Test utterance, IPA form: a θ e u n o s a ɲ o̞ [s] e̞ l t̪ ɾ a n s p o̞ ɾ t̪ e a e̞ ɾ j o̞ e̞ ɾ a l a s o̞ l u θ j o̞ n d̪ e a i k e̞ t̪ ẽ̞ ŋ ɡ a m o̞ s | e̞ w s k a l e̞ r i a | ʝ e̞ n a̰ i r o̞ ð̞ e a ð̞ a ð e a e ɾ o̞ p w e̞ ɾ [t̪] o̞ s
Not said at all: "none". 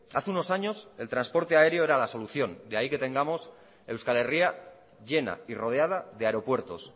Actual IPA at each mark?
s, t̪

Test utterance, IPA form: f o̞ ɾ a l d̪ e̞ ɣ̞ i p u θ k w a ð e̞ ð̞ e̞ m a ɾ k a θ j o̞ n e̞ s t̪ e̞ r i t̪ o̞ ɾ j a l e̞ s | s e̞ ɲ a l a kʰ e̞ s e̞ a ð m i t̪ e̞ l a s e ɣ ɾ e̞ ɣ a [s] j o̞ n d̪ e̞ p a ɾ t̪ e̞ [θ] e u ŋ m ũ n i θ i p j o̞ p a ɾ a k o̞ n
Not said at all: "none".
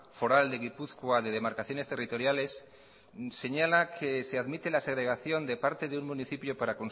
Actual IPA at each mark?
θ, ð

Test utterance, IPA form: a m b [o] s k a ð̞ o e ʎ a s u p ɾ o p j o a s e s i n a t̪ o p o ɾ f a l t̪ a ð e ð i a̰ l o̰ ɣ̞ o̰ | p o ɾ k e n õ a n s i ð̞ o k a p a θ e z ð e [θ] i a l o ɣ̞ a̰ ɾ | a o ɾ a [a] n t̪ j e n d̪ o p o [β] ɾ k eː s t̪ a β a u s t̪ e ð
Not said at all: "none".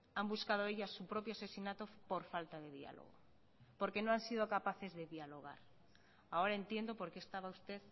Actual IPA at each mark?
u, ð, e, none

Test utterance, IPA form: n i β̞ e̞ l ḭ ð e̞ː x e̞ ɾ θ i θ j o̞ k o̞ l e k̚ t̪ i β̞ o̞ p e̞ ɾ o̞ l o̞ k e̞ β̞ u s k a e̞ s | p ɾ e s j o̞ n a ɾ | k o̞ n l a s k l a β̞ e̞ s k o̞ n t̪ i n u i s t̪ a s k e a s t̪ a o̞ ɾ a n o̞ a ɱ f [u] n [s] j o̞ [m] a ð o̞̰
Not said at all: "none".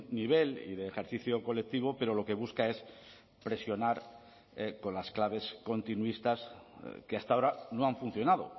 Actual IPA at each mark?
u, θ, n

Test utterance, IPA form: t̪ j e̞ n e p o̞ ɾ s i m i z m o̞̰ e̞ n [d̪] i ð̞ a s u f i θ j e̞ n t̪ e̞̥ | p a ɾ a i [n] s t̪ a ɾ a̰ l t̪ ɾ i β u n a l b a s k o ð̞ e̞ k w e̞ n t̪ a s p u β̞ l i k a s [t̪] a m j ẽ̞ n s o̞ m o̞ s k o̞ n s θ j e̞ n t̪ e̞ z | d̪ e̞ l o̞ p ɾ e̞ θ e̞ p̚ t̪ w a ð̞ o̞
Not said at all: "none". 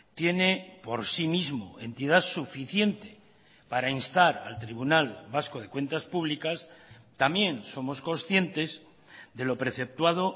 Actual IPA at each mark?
t̪, n, t̪

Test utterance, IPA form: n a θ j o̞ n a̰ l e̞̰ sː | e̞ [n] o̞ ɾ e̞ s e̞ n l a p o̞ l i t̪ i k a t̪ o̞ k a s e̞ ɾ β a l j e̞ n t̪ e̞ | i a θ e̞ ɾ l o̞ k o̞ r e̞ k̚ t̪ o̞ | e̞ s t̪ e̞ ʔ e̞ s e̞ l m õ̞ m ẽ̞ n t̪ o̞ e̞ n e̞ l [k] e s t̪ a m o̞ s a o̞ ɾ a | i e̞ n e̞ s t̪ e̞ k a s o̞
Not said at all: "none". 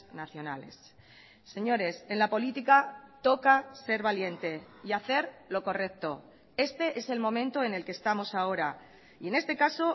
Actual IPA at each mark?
ɲ, k

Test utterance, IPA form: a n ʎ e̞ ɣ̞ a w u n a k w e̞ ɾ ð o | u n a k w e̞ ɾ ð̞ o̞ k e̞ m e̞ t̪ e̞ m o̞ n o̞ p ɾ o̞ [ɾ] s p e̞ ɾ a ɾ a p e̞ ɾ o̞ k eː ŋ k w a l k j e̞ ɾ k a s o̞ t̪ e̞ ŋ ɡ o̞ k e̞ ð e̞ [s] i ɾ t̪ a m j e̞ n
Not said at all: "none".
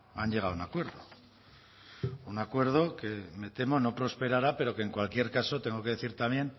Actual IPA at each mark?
none, θ

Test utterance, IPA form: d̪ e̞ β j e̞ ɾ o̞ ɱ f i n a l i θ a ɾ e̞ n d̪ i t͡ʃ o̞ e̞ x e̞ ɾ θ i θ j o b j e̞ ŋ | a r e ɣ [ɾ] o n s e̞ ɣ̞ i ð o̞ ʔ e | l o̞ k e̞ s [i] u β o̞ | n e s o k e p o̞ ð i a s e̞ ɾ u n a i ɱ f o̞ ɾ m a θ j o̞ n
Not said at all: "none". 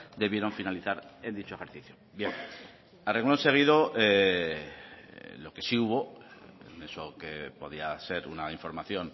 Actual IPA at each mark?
l, i

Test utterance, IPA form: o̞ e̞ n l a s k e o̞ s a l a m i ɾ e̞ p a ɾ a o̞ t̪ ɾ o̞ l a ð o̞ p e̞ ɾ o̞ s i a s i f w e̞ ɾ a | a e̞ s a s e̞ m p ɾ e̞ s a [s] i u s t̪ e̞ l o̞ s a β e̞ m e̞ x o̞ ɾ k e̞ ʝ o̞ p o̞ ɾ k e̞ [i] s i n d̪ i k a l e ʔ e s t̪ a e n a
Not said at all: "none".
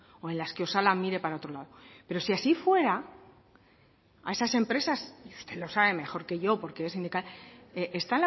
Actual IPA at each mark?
s, e

